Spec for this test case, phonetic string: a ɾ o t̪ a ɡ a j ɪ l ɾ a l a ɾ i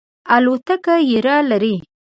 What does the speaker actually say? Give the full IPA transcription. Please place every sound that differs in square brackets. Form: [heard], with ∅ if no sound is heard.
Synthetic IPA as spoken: a [l] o t̪ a [k] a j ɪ [∅] ɾ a l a ɾ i